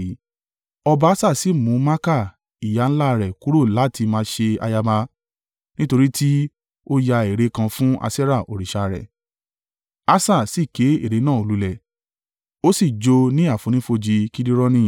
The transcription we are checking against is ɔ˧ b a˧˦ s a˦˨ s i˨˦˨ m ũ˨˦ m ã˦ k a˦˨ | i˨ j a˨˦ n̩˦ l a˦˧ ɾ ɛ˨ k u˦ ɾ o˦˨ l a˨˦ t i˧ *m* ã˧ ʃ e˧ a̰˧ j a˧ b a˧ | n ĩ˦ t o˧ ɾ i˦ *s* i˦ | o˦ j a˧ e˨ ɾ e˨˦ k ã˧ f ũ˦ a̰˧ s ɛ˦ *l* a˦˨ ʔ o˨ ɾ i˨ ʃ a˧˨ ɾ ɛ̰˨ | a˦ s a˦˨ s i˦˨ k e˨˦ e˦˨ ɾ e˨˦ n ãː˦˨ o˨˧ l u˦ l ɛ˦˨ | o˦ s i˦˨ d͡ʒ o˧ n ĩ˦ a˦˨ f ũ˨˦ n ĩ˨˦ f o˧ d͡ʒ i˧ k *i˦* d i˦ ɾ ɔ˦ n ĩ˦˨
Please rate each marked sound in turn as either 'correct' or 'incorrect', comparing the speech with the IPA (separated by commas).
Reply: correct, incorrect, incorrect, correct